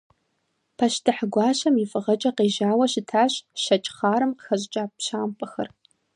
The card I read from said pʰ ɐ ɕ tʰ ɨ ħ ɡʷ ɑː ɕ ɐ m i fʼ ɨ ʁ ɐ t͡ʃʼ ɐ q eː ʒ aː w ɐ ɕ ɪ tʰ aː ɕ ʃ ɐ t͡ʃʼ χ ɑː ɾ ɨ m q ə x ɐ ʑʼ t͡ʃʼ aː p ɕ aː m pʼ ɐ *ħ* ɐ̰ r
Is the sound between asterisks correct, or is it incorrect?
incorrect